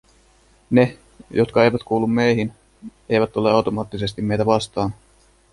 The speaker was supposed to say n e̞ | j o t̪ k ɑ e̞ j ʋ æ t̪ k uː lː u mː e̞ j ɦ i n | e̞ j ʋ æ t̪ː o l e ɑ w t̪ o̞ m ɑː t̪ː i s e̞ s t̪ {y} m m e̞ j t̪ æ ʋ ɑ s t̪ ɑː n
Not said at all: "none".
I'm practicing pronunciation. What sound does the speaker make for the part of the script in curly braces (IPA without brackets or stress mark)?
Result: i